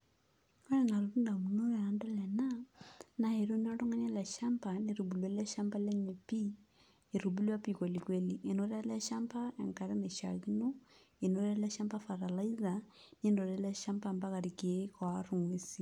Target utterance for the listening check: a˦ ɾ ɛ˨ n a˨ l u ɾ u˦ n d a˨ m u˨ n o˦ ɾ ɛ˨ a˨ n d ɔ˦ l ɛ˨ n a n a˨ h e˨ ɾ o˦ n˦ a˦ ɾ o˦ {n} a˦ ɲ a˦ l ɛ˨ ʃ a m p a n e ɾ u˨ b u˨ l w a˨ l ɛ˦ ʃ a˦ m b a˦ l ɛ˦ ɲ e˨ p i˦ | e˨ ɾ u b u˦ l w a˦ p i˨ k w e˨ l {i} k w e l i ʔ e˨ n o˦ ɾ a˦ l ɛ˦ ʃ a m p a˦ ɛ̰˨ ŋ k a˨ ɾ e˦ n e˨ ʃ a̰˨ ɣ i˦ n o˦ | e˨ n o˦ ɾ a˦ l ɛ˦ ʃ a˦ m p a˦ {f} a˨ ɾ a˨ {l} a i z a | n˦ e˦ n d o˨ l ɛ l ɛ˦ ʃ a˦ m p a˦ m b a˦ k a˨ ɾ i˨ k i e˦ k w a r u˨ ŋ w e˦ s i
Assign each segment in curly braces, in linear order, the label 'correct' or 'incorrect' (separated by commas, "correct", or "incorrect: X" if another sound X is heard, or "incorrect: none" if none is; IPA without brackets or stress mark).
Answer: incorrect: ŋ, correct, correct, correct